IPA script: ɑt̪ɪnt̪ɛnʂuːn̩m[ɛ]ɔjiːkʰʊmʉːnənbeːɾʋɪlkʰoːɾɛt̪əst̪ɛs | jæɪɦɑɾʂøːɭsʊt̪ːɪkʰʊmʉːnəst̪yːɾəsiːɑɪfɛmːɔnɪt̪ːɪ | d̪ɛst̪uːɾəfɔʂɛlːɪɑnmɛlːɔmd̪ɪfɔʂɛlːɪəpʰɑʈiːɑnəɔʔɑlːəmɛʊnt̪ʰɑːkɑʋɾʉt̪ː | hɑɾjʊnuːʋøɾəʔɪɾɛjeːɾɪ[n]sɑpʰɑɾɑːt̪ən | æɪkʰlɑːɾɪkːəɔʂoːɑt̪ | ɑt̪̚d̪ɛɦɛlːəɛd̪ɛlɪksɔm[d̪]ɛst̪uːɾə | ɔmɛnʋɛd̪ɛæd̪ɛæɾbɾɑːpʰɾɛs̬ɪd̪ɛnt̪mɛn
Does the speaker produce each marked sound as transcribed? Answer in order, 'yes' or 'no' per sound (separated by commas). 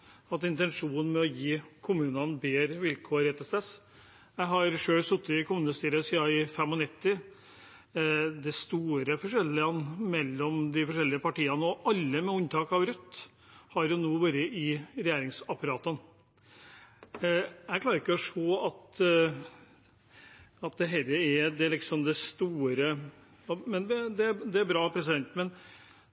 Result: yes, no, yes